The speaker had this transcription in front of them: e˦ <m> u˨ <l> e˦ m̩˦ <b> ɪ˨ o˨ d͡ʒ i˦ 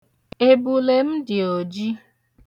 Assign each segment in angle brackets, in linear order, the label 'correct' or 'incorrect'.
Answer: incorrect: b, correct, incorrect: d

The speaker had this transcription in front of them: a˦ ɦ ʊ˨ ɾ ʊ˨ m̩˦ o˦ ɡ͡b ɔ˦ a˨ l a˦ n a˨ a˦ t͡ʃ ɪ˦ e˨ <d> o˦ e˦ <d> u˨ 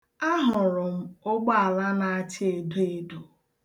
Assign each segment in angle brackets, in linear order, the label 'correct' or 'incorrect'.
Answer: correct, correct

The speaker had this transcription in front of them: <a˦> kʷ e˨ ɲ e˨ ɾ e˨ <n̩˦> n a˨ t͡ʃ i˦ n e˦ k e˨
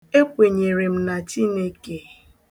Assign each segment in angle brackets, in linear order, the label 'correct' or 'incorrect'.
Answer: incorrect: e˦, incorrect: m̩˦

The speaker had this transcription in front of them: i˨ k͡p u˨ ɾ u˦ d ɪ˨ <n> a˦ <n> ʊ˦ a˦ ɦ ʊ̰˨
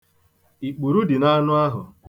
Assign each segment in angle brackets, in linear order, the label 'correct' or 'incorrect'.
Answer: correct, correct

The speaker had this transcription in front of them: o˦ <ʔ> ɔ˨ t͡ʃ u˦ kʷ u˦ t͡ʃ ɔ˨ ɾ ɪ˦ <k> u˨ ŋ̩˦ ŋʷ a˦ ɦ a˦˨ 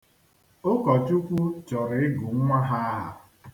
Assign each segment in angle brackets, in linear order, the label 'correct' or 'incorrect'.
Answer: incorrect: k, incorrect: ɡ

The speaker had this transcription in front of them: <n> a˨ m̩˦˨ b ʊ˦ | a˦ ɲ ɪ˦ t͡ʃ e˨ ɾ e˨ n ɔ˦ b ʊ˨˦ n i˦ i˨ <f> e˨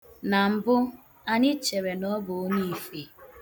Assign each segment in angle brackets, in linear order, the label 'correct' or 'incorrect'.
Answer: correct, correct

